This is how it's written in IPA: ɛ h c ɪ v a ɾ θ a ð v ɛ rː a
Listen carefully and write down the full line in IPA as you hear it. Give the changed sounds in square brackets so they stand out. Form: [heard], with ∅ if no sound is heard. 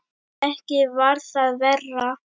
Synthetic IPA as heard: ɛ h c ɪ v a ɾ θ a ð v ɛ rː a